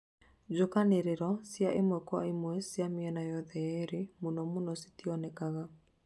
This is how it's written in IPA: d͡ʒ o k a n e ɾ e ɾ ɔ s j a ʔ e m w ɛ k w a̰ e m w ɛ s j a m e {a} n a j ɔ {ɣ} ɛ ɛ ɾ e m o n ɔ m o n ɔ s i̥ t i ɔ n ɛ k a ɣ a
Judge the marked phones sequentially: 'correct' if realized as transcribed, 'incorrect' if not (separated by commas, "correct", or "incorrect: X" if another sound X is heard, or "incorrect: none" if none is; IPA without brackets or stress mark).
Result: incorrect: ɛ, incorrect: ð